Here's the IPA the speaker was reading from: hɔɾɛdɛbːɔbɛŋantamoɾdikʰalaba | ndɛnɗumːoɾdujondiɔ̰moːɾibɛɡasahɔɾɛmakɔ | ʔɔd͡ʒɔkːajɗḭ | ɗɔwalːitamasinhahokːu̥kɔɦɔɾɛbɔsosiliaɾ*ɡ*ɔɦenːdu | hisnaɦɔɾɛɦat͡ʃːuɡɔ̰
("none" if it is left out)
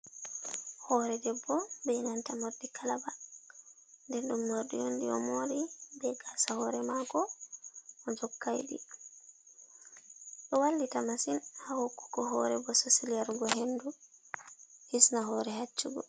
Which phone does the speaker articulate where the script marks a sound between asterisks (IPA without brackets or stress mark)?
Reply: ɡ